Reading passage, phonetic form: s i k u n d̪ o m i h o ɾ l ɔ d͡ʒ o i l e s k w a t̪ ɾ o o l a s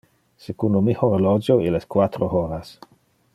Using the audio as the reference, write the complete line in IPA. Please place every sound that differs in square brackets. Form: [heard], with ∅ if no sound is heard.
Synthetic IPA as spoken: s [e] k u n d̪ o m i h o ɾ l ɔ d͡ʒ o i l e s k w a t̪ ɾ o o [ɾ] a s